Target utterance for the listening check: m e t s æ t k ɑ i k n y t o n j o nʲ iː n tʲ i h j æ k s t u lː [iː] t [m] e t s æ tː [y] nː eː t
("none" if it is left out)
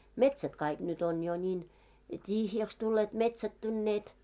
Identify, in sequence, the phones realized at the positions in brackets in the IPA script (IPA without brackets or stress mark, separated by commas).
eː, m, y